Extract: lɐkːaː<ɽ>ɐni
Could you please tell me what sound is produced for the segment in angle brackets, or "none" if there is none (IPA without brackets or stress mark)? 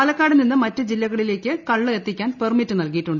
ɽ